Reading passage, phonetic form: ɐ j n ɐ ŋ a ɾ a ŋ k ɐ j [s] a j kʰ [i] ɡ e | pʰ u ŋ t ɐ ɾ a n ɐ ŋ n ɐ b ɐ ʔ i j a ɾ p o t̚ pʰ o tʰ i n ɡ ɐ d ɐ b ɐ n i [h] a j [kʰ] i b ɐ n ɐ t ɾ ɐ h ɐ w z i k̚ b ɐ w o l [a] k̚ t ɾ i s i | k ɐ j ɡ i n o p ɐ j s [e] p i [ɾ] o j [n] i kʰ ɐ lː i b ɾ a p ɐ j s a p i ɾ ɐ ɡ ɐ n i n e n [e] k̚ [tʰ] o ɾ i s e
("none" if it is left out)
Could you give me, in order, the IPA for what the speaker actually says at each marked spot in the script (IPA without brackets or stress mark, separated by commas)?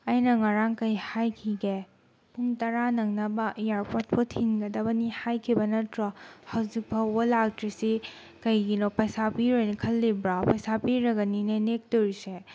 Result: h, i, h, kʰ, a, a, ɾ, n, e, t